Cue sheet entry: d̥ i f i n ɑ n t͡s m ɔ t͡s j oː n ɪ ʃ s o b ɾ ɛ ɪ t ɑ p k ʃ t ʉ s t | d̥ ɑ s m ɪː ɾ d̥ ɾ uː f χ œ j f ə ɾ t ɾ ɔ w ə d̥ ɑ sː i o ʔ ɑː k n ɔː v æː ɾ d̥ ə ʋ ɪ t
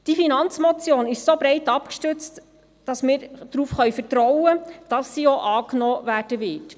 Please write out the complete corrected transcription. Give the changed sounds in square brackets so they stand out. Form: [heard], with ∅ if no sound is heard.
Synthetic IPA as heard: d̥ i f i n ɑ n t͡s m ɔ t͡s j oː n ɪ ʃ s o b ɾ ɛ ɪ t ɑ p k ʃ t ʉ [t͡s] t | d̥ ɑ s m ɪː ɾ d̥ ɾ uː f χ œ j f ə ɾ t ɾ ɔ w ə d̥ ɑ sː i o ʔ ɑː k n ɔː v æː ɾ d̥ ə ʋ ɪ t

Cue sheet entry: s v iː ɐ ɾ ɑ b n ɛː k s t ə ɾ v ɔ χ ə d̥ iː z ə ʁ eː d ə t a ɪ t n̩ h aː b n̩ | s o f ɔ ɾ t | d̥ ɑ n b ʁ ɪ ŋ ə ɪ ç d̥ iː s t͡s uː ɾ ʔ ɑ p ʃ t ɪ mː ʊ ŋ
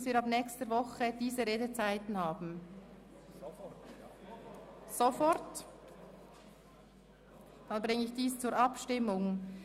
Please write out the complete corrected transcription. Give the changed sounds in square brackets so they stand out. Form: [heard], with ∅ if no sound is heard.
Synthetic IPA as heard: s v iː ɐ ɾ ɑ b n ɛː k s t ə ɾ v ɔ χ ə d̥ iː z ə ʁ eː d ə [t͡s] a ɪ t n̩ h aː b n̩ | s o f ɔ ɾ t | d̥ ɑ n b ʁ ɪ ŋ ə ɪ ç d̥ iː s t͡s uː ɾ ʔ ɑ p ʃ t ɪ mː ʊ ŋ

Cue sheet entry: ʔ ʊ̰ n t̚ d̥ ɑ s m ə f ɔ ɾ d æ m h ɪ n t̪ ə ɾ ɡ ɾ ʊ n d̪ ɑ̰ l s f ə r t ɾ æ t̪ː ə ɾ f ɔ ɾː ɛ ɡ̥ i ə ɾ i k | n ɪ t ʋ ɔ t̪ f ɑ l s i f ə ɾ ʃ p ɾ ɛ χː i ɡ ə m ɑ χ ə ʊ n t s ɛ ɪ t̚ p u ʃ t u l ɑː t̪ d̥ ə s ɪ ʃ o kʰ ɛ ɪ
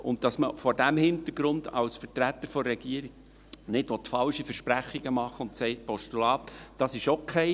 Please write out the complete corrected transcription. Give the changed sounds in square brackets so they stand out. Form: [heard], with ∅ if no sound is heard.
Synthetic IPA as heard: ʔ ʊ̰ n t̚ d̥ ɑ s m ə f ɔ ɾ d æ m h ɪ n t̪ ə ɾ ɡ ɾ ʊ n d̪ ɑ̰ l s f ə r t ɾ æ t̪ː ə ɾ f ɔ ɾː ɛ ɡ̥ i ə ɾ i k | n ɪ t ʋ ɔ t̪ f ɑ l [ʃ] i f ə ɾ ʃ p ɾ [æ] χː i ɡ ə m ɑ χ ə ʊ n t s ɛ ɪ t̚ p [ɔ] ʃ t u l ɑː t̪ d̥ [ɑ] s ɪ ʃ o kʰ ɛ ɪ

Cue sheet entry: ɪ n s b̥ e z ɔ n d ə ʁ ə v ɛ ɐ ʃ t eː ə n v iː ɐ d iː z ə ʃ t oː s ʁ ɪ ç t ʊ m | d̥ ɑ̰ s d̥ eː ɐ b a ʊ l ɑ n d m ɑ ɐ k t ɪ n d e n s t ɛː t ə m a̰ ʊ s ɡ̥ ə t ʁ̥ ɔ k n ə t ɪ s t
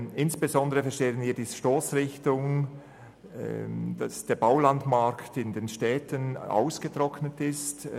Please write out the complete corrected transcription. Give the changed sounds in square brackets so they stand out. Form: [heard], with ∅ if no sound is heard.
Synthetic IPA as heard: ɪ n s b̥ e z ɔ n d ə ʁ ə [f] ɛ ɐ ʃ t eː ə n v iː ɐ d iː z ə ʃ t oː s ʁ ɪ ç t ʊ [ŋ] | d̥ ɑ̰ s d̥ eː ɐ b a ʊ l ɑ n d m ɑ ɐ k t ɪ n d e n [ʃ] t ɛː t ə [n] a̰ ʊ s ɡ̥ ə t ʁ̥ ɔ k n ə t ɪ s t

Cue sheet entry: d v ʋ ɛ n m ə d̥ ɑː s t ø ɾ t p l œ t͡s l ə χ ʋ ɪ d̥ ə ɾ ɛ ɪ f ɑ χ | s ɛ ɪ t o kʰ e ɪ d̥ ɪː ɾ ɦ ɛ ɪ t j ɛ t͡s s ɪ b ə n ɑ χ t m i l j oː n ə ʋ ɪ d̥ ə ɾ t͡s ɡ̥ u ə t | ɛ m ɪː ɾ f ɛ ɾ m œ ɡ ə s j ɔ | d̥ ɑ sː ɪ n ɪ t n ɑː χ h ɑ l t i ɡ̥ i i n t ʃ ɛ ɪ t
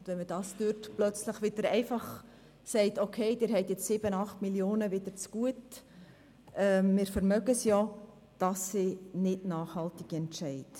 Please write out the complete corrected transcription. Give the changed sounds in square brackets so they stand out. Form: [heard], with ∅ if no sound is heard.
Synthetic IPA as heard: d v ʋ ɛ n m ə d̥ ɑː s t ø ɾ t p l œ t͡s l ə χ ʋ ɪ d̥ ə ɾ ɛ ɪ f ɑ χ | s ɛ ɪ t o kʰ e ɪ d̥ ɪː ɾ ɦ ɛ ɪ t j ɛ t͡s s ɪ b ə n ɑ χ t m i l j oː n ə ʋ ɪ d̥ ə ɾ t͡s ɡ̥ u ə t | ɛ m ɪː ɾ f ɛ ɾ m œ ɡ ə s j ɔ | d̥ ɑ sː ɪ n ɪ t n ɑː χ h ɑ l t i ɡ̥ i [ɛ] n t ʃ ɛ ɪ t

